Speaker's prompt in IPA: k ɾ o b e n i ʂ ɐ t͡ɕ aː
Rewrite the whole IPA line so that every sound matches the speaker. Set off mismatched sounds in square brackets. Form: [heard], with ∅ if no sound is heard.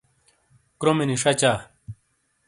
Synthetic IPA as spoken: k ɾ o [m] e n i ʂ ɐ t͡ɕ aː